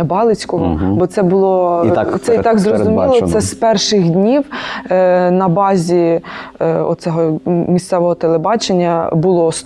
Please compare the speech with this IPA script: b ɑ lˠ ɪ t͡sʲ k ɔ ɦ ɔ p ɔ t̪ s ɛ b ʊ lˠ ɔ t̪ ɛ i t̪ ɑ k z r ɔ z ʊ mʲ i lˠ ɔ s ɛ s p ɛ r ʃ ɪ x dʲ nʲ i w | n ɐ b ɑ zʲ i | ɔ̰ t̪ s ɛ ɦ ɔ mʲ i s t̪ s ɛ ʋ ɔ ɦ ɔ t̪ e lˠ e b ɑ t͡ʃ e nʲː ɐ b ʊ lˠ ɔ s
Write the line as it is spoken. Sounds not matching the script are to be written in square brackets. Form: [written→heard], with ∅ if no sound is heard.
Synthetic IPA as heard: b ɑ lˠ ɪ t͡sʲ k ɔ ɦ ɔ [p→b] ɔ t̪ s ɛ b ʊ lˠ ɔ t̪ ɛ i t̪ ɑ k z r ɔ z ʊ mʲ i lˠ ɔ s ɛ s p ɛ r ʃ ɪ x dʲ nʲ i w | n ɐ b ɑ zʲ i | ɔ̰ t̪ s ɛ ɦ ɔ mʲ i s t̪ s ɛ ʋ ɔ ɦ ɔ t̪ e lˠ e b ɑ t͡ʃ e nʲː ɐ b ʊ lˠ ɔ s